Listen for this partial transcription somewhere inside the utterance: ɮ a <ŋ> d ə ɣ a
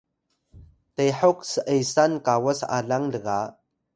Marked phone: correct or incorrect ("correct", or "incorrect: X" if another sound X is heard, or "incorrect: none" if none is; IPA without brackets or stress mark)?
correct